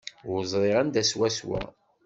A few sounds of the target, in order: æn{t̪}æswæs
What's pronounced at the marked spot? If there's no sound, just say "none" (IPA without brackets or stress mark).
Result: d̪